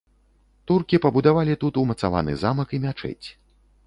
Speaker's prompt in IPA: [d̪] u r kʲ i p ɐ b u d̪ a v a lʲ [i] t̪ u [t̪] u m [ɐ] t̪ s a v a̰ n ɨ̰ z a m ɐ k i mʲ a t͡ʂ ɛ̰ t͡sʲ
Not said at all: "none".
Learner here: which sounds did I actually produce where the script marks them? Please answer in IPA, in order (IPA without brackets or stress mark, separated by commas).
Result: t̪, i, t̪, ɐ